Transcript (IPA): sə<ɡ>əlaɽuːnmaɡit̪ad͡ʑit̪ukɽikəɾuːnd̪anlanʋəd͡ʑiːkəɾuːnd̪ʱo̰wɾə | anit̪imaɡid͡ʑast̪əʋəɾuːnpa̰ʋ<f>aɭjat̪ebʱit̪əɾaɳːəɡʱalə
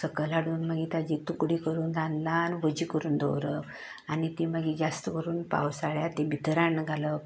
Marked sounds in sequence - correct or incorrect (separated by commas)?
incorrect, incorrect